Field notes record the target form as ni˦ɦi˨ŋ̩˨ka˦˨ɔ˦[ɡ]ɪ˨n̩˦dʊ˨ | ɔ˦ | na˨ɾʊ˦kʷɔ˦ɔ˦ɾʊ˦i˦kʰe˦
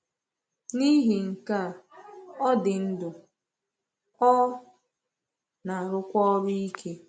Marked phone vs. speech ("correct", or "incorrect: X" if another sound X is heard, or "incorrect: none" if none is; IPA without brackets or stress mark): incorrect: d